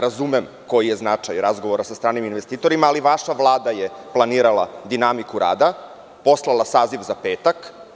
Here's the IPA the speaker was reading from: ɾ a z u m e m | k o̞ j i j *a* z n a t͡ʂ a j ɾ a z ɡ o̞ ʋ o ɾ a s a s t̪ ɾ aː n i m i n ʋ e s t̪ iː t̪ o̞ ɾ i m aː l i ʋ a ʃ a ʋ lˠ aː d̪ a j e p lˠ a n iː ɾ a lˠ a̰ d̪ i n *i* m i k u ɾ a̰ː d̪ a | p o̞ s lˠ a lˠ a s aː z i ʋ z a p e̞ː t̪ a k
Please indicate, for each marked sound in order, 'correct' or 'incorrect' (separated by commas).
incorrect, incorrect